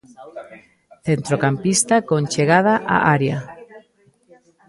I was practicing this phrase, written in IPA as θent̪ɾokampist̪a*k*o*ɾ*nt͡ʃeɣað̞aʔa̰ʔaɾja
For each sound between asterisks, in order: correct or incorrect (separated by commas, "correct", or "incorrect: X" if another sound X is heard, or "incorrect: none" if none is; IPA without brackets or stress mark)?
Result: correct, incorrect: none